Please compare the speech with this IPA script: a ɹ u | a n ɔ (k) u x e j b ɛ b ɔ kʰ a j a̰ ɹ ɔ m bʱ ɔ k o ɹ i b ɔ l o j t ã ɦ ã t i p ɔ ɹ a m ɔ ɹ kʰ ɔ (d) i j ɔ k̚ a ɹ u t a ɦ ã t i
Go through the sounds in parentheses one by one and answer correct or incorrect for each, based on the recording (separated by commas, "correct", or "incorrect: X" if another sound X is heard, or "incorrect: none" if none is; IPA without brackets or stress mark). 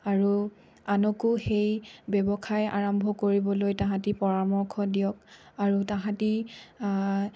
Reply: correct, correct